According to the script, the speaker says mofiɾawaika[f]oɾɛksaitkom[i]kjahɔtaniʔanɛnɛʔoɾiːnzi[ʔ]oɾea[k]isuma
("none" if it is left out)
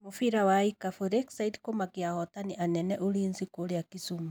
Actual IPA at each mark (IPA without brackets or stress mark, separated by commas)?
f, a, k, k